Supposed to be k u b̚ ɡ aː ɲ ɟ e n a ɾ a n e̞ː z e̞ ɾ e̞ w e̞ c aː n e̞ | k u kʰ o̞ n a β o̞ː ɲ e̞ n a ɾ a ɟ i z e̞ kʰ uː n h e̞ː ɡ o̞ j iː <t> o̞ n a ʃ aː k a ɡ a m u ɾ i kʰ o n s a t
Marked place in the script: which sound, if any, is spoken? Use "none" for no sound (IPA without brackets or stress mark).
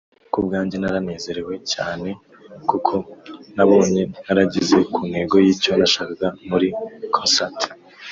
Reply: c